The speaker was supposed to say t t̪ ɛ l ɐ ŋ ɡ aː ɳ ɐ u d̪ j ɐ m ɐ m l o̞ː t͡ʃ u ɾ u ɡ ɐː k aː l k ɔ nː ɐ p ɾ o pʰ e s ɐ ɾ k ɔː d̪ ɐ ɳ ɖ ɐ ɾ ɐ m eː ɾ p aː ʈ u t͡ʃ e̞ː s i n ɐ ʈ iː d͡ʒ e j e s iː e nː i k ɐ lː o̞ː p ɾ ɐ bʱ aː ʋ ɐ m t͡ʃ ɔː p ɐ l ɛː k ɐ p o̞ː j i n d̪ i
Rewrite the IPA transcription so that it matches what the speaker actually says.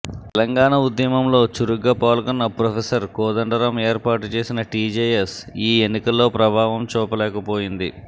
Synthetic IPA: t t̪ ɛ l ɐ ŋ ɡ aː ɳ ɐ u d̪ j ɐ m ɐ m l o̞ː t͡ʃ u ɾ u ɡ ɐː p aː l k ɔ nː ɐ p ɾ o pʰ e s ɐ ɾ k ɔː d̪ ɐ ɳ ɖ ɐ ɾ ɐ m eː ɾ p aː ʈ u t͡ʃ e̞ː s i n ɐ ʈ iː d͡ʒ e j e s iː e nː i k ɐ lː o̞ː p ɾ ɐ bʱ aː ʋ ɐ m t͡ʃ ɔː p ɐ l ɛː k ɐ p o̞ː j i n d̪ i

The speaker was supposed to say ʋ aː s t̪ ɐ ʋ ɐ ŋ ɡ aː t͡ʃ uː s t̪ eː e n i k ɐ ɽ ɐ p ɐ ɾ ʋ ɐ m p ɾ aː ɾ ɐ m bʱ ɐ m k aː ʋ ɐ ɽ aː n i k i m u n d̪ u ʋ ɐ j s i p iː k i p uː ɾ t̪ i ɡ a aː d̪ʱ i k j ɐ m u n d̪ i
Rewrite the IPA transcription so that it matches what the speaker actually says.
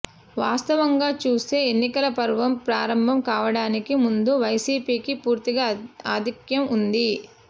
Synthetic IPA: ʋ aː s t̪ ɐ ʋ ɐ ŋ ɡ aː t͡ʃ uː s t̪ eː e nː i k ɐ l ɐ p ɐ ɾ ʋ ɐ m p ɾ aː ɾ ɐ m bʱ ɐ m k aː ʋ ɐ ɽ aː n i k i m u n d̪ u ʋ ɐ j s iː p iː k i p uː ɾ t̪ i ɡ a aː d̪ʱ i k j ɐ m u n d̪ i

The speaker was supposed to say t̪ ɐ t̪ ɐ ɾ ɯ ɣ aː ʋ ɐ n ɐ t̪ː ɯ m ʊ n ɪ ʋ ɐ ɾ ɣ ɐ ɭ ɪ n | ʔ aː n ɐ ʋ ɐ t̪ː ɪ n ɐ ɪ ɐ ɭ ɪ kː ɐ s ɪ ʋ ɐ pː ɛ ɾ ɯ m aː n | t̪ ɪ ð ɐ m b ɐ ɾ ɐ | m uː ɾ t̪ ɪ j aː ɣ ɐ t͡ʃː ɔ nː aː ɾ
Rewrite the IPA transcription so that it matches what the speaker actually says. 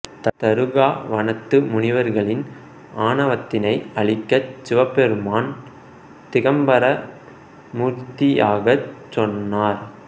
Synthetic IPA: t̪ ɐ t̪ ɐ ɾ ɯ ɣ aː ʋ ɐ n ɐ t̪ː ɯ m ʊ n ɪ ʋ ɐ ɾ ɣ ɐ ɭ ɪ n | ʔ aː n ɐ ʋ ɐ t̪ː ɪ n ɐ ɪ ɐ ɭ ɪ kː ɐ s ɪ ʋ ɐ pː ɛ ɾ ɯ m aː n | t̪ ɪ ɣ ɐ m b ɐ ɾ ɐ | m uː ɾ t̪ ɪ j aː ɣ ɐ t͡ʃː ɔ nː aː ɾ

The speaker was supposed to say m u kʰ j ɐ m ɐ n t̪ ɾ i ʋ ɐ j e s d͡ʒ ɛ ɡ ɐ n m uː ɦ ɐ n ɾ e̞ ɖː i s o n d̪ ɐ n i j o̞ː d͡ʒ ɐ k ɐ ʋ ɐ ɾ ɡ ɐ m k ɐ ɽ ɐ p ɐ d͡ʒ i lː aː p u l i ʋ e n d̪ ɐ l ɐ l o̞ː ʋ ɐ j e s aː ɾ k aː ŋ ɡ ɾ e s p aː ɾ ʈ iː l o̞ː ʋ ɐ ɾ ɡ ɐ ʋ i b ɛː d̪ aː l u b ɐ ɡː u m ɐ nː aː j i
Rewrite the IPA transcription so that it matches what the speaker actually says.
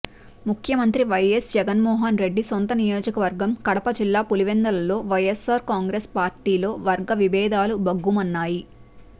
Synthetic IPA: m u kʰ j ɐ m ɐ n t̪ ɾ i ʋ ɐ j e s d͡ʒ ɛ ɡ ɐ n m ɔː ɦ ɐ n ɾ e̞ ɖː i s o n t̪ ɐ n i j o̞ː d͡ʒ ɐ k ɐ ʋ ɐ ɾ ɡ ɐ m k ɐ ɽ ɐ p ɐ d͡ʒ i lː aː p u l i ʋ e n d̪ ɐ l ɐ l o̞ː ʋ ɐ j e s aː ɾ k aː ŋ ɡ ɾ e s p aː ɾ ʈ iː l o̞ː ʋ ɐ ɾ ɡ ɐ ʋ i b ɛː d̪ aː l u b ɐ ɡː u m ɐ nː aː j i

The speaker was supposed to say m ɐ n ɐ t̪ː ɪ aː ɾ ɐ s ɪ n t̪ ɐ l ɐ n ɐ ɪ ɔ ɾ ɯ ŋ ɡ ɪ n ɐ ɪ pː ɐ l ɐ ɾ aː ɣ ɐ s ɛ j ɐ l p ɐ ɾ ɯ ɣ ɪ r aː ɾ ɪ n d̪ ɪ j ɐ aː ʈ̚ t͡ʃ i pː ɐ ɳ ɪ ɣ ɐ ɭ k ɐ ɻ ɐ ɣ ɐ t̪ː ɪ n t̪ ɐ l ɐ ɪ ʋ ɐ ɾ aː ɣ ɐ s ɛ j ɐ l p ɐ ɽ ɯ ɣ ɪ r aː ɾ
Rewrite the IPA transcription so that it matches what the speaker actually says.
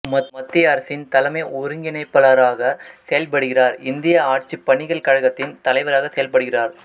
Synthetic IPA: m ɐ m ɐ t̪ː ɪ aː ɾ ɐ s ɪ n t̪ ɐ l ɐ m ɐ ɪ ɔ ɾ ɯ ŋ ɡ ɪ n ɐ ɪ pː ɐ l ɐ ɾ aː ɣ ɐ s ɛ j ɐ l p ɐ ɽ ɯ ɣ ɪ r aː ɾ ɪ n d̪ ɪ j ɐ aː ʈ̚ t͡ʃ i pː ɐ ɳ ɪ ɣ ɐ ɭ k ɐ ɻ ɐ ɣ ɐ t̪ː ɪ n t̪ ɐ l ɐ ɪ ʋ ɐ ɾ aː ɣ ɐ s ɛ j ɐ l p ɐ ɽ ɯ ɣ ɪ r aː ɾ

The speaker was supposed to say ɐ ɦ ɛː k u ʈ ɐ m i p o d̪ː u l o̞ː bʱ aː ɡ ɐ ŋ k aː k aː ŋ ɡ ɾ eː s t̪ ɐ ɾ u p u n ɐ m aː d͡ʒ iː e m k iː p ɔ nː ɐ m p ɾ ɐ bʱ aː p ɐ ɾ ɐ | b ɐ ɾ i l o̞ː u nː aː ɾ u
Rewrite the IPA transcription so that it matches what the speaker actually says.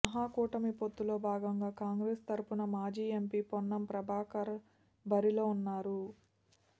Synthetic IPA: ɐ ɦ aː k uː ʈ ɐ m i p o t̪ː u l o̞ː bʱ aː ɡ ɐ ŋ ɡ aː k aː ŋ ɡ ɾ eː s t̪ ɐ ɾ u p u n ɐ m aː d͡ʒ iː e m p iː p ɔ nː ɐ m p ɾ ɐ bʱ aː k ɐ ɾ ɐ | b ɐ ɾ i l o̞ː u nː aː ɾ u

